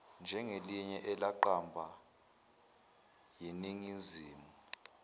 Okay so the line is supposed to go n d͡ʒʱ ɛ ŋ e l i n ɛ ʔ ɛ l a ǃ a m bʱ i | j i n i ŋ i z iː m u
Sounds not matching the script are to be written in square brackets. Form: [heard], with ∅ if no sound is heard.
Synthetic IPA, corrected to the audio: n d͡ʒʱ ɛ ŋ e l i [ɲ] ɛ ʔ ɛ l a ǃ a m bʱ [a] | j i n i ŋ i z iː m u